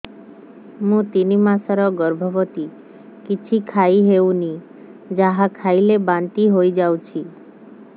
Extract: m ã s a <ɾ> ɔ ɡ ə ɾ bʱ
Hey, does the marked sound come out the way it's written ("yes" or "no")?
yes